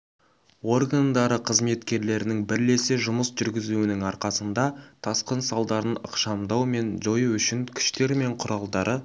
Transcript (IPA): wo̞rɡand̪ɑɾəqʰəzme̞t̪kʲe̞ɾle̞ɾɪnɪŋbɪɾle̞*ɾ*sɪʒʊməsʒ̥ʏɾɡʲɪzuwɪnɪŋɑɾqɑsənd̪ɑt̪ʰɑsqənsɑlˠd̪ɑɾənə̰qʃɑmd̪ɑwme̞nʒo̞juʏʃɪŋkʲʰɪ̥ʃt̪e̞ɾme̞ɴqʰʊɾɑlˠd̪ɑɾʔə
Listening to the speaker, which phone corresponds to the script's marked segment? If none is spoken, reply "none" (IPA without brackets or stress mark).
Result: none